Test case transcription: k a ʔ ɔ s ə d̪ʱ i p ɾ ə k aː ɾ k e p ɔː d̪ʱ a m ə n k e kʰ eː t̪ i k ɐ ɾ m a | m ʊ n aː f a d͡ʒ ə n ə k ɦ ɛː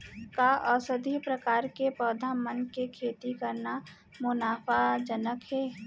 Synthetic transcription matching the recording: k a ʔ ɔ s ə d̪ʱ i p ɾ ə k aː ɾ k e p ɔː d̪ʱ a m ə n k e kʰ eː t̪ i k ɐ ɾ n a | m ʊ n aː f a d͡ʒ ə n ə k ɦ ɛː